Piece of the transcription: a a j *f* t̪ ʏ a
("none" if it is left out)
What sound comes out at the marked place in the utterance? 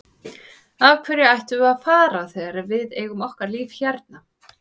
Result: h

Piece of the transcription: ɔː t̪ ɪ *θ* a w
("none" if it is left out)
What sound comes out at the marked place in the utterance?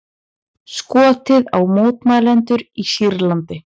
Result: ð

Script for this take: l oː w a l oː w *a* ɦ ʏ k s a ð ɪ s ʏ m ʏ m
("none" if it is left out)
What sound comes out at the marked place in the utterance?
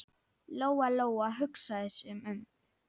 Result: a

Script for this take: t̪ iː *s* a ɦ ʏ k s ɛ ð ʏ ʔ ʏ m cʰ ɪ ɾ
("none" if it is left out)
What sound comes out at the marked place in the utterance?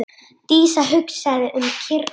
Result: s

